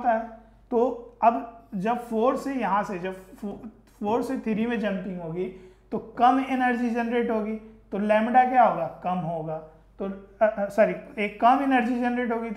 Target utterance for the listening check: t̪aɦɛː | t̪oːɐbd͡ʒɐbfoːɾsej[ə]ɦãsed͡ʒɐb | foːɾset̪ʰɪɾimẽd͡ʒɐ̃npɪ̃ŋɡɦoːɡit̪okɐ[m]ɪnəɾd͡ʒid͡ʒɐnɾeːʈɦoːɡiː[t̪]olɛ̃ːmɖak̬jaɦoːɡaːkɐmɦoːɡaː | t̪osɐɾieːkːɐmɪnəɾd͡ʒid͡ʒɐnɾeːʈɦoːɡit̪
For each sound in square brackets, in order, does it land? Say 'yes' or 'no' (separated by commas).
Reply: no, yes, yes